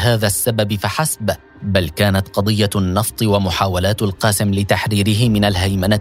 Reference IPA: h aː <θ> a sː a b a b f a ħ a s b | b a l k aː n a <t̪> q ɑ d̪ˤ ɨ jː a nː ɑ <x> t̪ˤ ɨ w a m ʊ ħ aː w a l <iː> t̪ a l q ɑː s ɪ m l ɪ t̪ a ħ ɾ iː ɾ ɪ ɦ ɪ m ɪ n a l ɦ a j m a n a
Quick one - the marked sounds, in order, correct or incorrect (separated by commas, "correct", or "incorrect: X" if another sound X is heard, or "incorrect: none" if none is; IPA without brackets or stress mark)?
incorrect: ð, correct, incorrect: f, incorrect: aː